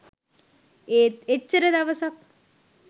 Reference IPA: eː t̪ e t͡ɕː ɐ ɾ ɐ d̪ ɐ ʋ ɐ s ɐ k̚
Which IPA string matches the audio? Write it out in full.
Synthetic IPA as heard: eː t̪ e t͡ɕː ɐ ɾ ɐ d̪ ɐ ʋ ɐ s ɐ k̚